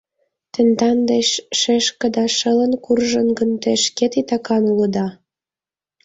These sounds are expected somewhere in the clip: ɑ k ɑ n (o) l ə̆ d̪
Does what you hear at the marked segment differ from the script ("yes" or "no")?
yes